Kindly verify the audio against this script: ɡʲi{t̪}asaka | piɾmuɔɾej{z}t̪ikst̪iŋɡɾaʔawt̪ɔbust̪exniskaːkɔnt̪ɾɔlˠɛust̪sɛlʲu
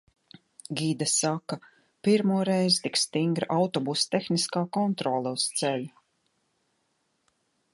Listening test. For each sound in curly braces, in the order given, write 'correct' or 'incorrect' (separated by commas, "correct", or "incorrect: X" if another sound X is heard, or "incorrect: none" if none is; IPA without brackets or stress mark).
incorrect: d̪, correct